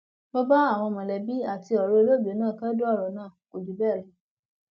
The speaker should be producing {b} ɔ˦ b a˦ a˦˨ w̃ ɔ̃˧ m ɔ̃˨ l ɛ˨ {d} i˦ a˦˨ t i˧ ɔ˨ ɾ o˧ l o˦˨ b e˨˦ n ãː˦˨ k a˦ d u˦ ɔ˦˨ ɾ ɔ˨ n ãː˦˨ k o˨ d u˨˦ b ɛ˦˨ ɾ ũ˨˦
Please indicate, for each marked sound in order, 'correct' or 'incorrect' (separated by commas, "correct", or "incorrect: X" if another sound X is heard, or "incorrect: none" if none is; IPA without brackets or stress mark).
correct, incorrect: b